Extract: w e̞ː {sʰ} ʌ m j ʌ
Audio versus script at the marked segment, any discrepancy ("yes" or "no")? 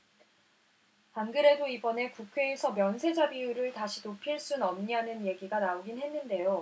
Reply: no